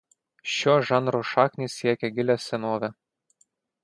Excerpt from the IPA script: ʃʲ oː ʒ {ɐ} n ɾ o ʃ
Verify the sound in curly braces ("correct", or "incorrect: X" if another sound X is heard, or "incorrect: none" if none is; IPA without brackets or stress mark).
incorrect: ɑ